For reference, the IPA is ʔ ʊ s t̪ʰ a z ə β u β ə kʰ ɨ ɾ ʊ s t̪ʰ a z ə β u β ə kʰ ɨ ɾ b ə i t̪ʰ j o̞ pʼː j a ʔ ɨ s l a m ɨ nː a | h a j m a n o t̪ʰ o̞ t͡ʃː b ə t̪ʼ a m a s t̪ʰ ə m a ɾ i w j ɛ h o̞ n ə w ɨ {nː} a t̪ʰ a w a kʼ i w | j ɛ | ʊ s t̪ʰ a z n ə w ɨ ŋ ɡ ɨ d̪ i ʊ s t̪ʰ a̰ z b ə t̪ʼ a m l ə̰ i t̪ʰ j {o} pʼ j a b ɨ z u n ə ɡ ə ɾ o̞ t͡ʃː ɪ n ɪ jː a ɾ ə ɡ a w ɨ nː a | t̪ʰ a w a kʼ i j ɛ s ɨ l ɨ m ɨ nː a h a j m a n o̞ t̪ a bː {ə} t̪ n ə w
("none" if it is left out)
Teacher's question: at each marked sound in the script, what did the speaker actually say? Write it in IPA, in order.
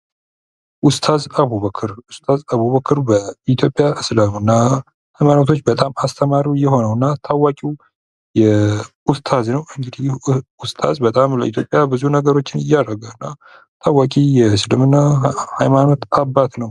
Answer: nː, o, a

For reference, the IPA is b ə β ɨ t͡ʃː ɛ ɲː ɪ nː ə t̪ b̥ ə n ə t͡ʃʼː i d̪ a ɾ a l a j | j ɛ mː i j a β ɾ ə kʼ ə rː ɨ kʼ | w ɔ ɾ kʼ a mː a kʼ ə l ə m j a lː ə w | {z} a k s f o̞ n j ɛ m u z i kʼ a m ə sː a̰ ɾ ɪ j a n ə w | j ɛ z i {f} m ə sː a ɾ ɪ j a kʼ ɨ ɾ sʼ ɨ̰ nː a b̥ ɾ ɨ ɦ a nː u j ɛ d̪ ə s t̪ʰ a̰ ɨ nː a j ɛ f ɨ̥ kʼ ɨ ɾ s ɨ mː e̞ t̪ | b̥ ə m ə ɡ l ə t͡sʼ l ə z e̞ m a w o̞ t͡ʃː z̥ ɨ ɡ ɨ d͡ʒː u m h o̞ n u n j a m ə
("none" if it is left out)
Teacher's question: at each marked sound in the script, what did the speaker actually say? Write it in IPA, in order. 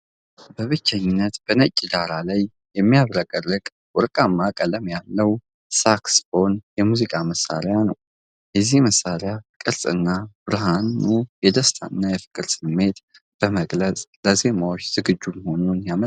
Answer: s, h

